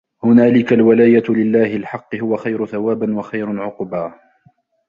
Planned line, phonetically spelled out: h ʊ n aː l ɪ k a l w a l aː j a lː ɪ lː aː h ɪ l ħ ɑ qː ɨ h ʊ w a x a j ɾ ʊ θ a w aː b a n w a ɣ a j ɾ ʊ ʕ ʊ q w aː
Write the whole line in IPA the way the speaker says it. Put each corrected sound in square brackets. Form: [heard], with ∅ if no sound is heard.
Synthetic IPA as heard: h ʊ n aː l ɪ k a l w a l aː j a [l] ɪ lː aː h ɪ l ħ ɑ qː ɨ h ʊ w a x a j ɾ ʊ θ a w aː b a n w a [x] a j ɾ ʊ ʕ ʊ q [b] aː